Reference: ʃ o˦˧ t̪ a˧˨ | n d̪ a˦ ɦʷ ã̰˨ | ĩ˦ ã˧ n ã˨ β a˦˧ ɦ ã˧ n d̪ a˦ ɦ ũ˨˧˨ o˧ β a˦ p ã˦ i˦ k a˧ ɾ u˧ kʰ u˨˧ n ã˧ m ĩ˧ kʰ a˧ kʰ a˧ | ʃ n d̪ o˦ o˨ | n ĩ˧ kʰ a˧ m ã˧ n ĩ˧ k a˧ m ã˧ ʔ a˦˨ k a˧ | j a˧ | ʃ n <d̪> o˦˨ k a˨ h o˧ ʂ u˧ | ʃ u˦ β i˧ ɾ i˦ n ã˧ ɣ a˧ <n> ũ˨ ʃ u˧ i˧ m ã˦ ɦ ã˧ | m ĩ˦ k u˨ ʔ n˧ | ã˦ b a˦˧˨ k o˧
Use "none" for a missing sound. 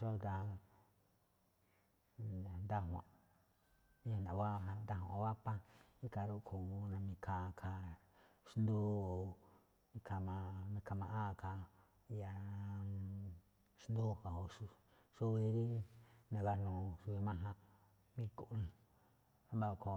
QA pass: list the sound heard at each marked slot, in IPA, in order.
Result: d̪, n

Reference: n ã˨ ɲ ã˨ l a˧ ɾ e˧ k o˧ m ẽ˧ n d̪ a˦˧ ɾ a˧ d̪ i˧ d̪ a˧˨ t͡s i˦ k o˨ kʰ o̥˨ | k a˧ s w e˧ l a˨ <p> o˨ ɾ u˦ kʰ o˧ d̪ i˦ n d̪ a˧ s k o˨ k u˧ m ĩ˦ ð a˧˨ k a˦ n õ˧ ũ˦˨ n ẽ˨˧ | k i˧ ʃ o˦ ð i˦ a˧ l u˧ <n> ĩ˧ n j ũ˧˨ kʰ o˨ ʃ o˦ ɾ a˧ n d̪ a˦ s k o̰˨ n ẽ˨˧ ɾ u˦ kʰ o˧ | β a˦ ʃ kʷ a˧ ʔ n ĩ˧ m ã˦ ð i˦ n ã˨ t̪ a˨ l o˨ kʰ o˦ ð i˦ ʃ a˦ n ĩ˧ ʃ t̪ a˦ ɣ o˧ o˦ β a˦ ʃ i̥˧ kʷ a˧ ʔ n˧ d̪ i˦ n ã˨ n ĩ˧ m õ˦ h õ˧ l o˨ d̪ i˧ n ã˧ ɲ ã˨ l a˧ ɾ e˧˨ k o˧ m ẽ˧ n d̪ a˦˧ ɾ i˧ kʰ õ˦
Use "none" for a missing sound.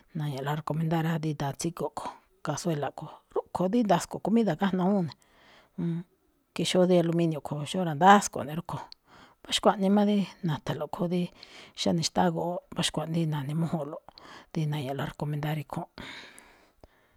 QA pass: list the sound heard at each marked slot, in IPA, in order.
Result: k, m

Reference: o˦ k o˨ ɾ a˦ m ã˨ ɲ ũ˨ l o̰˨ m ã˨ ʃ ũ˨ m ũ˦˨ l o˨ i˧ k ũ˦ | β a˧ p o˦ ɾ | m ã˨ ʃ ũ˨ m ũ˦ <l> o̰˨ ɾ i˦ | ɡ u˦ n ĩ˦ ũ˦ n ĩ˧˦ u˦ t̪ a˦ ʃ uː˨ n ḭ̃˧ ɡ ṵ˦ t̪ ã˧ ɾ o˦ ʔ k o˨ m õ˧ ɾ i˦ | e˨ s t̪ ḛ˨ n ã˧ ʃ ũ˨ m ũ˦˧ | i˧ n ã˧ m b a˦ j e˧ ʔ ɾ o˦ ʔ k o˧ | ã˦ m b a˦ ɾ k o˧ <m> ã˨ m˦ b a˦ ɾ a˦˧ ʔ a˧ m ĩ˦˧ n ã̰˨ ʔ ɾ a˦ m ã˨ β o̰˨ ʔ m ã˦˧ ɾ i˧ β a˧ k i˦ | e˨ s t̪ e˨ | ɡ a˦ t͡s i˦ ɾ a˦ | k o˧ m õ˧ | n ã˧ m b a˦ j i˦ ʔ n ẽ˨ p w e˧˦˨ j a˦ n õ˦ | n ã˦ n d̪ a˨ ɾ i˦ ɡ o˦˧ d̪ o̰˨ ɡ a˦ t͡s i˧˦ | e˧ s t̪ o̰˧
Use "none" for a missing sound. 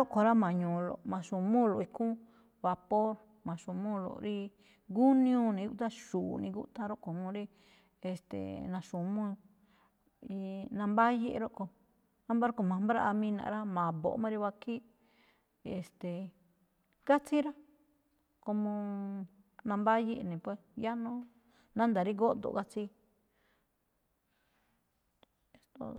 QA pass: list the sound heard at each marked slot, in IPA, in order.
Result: l, m

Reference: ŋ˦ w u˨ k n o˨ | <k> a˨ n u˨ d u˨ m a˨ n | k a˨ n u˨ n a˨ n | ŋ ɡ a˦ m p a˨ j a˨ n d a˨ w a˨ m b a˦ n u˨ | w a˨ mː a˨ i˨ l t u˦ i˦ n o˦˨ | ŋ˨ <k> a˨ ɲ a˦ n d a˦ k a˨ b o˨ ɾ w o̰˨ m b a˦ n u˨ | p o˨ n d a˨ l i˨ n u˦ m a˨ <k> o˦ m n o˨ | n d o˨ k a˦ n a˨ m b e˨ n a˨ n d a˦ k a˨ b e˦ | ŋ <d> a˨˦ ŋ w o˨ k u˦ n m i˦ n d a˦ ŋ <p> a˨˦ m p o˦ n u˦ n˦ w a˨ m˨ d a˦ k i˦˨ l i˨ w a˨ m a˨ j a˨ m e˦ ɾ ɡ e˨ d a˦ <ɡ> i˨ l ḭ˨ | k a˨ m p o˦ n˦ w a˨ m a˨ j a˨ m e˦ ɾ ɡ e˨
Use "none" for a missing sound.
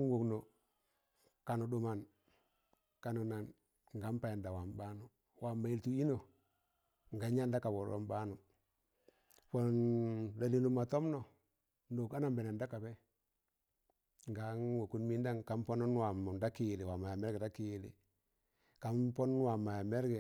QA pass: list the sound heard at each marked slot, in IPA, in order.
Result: k, ɡ, t, ɡ, k, k

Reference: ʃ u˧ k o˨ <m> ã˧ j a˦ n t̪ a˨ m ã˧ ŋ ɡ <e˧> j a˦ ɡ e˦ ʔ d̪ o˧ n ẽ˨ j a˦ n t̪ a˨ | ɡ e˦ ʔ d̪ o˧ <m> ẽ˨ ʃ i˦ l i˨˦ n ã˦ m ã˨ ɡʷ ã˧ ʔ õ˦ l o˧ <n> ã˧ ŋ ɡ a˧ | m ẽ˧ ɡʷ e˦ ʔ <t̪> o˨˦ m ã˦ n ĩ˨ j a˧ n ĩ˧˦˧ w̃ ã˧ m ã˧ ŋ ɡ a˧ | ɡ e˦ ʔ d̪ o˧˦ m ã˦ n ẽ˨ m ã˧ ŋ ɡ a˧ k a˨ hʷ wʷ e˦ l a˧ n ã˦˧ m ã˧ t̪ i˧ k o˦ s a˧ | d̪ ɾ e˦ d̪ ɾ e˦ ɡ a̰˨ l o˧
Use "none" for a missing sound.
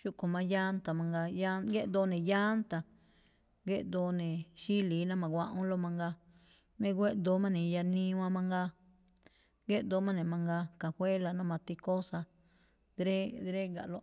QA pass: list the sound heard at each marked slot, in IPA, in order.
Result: m, a˧, n, m, d̪

